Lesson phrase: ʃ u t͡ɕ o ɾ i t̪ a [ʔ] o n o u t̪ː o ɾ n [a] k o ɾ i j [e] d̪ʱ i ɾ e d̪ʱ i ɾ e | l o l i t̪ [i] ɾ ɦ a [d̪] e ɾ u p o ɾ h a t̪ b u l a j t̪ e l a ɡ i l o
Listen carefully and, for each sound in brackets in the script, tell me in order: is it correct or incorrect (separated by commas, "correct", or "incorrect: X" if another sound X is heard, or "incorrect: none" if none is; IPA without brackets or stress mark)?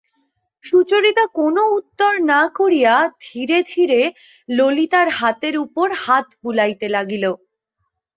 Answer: incorrect: k, correct, incorrect: a, incorrect: a, incorrect: t̪